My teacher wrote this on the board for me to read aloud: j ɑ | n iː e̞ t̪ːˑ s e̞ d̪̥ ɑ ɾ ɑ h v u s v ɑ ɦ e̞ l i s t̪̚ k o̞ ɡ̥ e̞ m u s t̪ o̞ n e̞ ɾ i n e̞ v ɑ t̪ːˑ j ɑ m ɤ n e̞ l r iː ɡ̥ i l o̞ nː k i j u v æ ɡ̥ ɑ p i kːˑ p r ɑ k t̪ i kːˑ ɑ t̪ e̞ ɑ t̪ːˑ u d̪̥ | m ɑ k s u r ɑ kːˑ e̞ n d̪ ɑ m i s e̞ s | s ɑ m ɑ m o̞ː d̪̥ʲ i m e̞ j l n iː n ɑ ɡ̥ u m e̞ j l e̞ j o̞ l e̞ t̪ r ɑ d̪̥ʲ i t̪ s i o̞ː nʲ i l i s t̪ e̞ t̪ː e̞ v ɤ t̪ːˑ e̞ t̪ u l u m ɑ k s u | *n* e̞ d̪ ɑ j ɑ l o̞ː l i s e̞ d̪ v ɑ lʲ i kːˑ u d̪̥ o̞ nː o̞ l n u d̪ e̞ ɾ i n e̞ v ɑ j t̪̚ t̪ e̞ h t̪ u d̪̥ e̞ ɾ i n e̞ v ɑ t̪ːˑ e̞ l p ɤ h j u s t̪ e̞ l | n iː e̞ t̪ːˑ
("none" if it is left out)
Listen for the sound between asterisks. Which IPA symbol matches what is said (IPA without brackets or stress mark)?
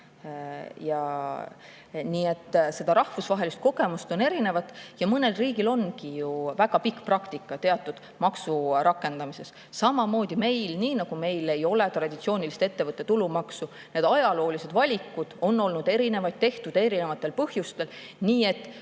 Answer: n